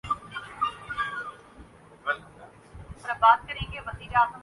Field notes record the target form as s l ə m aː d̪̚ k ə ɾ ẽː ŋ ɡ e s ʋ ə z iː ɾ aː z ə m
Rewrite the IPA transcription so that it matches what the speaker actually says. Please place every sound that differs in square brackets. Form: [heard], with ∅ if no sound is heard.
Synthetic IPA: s [ɾ] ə [b] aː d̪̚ k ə ɾ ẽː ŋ ɡ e [∅] ʋ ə z iː ɾ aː z ə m